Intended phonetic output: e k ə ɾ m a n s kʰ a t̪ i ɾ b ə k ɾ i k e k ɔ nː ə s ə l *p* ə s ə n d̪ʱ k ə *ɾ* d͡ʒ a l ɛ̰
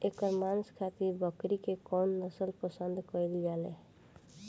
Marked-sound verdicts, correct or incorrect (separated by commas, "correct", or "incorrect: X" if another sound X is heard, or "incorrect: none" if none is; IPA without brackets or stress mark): correct, incorrect: l